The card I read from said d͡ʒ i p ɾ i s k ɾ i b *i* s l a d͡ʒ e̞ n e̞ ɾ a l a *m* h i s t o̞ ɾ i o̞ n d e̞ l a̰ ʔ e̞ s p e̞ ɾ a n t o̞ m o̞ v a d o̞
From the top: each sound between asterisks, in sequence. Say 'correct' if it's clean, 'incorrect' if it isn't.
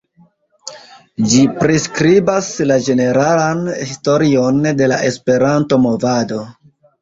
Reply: incorrect: a, incorrect: n

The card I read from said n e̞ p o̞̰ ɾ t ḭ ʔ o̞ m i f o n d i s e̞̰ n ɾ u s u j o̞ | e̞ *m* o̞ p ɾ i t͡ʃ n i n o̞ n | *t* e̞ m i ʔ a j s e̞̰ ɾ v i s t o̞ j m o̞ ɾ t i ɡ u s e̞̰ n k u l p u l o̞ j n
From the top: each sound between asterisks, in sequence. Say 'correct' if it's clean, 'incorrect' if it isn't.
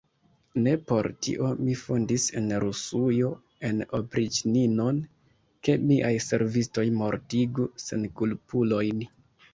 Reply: incorrect: n, incorrect: k

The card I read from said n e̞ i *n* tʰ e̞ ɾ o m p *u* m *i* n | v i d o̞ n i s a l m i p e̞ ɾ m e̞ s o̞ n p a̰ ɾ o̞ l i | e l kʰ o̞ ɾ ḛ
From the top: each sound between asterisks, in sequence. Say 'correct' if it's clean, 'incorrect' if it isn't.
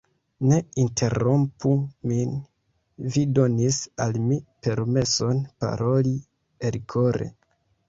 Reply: correct, correct, correct

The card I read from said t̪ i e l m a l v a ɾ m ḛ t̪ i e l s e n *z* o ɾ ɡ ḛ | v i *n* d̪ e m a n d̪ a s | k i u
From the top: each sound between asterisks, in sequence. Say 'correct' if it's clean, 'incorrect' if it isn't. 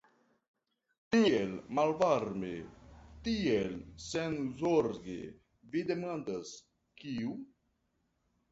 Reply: correct, incorrect: none

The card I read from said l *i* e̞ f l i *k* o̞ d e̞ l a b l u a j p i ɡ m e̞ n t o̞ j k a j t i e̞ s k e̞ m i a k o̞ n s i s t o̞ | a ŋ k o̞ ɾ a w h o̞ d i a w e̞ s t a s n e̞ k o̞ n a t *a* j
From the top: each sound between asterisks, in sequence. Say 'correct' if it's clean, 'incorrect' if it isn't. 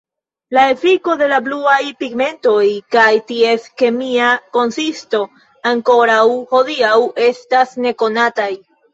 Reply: incorrect: a, correct, correct

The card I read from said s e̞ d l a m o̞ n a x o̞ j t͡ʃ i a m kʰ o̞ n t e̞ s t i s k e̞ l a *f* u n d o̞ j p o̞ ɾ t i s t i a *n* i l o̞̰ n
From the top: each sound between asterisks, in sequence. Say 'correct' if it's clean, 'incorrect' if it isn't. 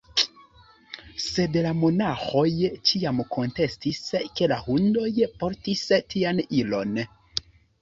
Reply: incorrect: h, correct

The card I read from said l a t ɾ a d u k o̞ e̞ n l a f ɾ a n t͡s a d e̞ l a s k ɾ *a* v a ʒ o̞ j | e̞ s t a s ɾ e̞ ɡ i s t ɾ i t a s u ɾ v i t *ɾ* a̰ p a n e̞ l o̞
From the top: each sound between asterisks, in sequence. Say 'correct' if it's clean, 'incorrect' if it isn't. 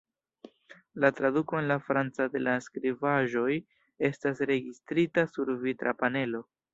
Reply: incorrect: i, correct

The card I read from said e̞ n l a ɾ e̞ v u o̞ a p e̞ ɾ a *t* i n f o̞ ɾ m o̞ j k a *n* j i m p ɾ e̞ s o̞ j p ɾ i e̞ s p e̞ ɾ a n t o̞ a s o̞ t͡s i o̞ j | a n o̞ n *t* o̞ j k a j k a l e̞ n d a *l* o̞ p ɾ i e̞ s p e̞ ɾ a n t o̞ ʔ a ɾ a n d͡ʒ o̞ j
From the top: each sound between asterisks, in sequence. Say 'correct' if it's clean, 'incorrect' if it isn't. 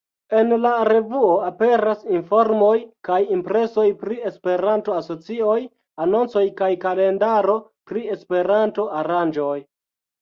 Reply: incorrect: s, incorrect: none, incorrect: t͡s, incorrect: ɾ

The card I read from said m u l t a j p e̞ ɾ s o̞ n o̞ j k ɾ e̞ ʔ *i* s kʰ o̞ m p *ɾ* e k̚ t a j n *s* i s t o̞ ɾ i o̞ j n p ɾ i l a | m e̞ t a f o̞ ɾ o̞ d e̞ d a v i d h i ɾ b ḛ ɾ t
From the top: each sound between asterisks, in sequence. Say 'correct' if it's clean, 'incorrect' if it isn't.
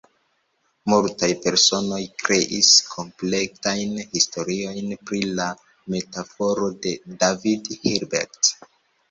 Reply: correct, incorrect: l, incorrect: h

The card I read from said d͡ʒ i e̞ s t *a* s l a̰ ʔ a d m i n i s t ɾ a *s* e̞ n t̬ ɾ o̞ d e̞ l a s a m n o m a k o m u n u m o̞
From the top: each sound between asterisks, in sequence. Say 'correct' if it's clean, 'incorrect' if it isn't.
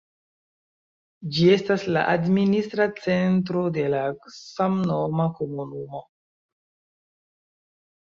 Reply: correct, incorrect: t͡s

